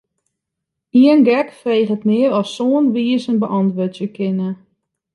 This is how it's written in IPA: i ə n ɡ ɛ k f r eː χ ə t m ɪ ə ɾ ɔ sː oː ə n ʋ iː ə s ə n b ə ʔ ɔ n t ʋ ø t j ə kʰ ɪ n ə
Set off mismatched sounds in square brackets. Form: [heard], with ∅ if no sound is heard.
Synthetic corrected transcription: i ə n ɡ ɛ k f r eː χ ə t m ɪ ə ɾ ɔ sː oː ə n ʋ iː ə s ə n b ə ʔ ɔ n t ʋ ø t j ə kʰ ɪ n ə